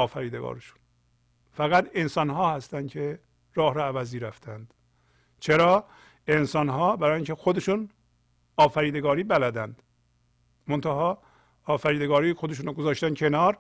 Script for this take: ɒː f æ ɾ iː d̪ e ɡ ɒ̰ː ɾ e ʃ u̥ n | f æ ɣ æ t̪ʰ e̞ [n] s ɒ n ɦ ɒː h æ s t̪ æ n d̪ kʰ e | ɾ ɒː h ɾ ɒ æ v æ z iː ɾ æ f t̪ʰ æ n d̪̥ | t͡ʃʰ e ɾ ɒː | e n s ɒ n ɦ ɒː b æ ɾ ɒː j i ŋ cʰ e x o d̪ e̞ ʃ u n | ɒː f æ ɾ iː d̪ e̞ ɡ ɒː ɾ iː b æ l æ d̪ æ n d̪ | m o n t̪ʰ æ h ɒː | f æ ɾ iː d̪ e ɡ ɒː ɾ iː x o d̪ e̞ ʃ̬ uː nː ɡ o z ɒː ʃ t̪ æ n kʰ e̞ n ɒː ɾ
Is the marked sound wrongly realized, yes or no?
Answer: no